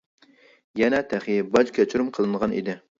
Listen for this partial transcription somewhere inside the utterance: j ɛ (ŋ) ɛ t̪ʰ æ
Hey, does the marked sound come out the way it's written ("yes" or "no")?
no